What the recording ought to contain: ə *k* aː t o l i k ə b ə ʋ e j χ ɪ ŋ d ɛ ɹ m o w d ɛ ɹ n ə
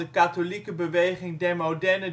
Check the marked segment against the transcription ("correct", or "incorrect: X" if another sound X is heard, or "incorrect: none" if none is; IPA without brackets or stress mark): correct